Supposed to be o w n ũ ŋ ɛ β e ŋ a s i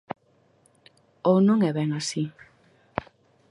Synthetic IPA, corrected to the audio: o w n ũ ŋ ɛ β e ŋ a s i